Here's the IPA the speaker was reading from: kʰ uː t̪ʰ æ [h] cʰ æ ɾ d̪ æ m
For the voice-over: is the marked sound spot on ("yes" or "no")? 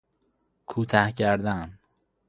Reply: yes